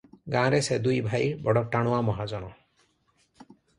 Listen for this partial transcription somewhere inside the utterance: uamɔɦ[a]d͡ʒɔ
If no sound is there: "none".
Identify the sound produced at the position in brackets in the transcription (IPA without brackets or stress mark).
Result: a